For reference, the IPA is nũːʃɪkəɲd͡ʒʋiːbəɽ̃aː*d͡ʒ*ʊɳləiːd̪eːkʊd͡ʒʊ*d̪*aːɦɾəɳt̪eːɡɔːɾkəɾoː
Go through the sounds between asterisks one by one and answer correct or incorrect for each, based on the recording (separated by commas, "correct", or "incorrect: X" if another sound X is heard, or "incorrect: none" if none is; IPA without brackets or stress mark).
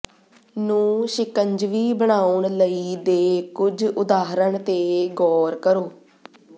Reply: incorrect: none, correct